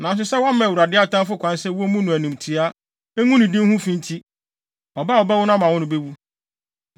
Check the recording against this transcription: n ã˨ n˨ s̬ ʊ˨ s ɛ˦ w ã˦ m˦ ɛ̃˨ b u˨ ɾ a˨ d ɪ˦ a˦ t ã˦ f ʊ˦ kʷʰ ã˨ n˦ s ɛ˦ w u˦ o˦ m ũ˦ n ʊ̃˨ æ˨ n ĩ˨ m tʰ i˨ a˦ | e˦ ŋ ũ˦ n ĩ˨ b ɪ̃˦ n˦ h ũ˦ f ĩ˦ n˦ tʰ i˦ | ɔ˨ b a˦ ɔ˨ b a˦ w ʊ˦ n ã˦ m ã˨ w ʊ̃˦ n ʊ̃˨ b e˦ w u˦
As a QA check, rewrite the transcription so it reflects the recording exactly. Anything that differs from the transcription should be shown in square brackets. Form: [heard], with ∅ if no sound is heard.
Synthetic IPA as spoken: n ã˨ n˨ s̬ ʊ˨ s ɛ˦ w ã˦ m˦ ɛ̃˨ [w] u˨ ɾ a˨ d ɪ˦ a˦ t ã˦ f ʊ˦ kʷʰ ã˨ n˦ s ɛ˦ w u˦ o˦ m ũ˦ n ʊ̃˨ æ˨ n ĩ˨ m tʰ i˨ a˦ | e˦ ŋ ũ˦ n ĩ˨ [d] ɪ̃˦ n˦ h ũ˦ f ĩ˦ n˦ tʰ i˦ | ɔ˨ b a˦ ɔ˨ b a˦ w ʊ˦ n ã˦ m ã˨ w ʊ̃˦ n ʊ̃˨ b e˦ w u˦

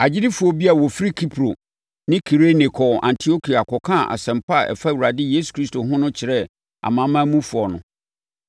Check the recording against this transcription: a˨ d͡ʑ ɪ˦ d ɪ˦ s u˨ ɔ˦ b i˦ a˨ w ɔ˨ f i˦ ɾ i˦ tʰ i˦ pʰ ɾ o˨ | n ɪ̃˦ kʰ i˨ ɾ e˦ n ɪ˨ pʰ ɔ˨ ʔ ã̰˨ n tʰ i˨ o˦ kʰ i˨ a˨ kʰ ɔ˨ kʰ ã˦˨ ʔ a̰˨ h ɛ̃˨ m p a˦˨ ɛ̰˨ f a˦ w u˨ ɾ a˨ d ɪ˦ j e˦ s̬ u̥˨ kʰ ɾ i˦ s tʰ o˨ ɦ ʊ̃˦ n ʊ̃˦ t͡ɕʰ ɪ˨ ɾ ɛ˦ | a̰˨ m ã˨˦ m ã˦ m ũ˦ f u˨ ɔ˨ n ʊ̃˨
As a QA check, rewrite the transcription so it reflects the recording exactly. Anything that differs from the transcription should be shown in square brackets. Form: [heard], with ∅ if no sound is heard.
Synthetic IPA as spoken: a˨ d͡ʑ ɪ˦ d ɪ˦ [f] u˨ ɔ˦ b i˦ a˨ w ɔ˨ f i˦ ɾ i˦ [kʰ] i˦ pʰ ɾ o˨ | n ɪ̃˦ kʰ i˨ ɾ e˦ n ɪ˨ [kʰ] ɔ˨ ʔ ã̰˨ n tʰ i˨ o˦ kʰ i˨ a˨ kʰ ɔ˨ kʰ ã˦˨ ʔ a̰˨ [s] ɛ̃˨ m p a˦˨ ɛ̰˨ f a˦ w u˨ ɾ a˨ d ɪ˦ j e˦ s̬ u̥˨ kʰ ɾ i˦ s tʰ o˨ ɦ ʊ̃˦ n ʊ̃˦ t͡ɕʰ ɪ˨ ɾ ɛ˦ | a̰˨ m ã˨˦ m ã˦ m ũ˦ f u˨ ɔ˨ n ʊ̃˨

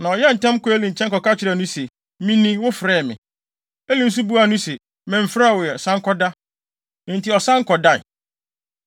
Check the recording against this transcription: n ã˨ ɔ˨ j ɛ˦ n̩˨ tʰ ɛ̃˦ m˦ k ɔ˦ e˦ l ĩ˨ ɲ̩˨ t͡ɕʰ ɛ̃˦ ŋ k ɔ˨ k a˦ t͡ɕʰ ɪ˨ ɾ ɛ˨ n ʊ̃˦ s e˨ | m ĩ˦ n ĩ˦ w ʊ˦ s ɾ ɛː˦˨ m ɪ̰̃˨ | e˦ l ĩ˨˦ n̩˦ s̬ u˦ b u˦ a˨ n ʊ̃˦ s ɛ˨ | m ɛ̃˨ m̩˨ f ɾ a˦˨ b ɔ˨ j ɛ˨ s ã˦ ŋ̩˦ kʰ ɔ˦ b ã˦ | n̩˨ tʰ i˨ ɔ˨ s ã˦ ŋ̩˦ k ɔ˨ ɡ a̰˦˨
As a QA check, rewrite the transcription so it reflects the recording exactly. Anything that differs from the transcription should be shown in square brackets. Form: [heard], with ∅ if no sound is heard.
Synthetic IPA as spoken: n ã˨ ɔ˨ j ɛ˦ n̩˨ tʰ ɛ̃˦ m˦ k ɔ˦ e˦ l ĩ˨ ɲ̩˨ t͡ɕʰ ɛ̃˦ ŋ k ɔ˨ k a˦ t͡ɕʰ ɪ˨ ɾ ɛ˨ n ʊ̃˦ s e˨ | m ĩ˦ n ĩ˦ w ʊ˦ [f] ɾ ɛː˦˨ m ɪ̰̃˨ | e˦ l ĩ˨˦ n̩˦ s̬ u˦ b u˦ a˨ n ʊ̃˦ s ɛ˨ | m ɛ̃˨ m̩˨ f ɾ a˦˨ [w] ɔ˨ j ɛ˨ s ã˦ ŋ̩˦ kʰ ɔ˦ [d] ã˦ | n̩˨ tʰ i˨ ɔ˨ s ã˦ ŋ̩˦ k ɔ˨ [d] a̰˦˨

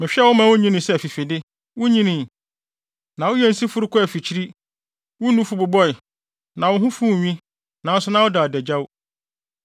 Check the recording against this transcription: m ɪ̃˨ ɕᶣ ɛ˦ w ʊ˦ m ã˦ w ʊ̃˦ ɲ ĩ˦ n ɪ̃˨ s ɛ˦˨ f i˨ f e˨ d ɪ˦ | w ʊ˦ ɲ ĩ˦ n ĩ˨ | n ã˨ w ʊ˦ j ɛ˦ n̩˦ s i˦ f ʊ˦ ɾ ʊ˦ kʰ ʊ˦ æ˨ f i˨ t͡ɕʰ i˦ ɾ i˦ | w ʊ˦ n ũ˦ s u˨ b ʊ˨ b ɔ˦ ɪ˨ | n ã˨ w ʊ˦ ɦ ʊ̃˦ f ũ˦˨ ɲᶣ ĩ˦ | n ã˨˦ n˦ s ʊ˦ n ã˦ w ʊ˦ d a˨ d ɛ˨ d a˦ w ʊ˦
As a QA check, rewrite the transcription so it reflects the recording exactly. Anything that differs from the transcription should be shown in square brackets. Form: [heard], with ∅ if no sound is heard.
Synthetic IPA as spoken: m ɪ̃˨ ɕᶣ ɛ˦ w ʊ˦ m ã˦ w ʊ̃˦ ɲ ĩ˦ n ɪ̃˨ s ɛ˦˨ f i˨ f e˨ d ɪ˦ | w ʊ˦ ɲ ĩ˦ n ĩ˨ | n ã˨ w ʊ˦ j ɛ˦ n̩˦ s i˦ f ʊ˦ ɾ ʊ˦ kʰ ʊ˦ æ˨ f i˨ t͡ɕʰ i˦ ɾ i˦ | w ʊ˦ n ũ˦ [f] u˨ b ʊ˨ b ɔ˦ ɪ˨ | n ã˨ w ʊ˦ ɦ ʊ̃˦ f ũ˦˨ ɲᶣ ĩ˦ | n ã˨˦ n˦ s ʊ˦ n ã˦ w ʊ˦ d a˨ d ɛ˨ [d͡ʑ] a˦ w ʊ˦

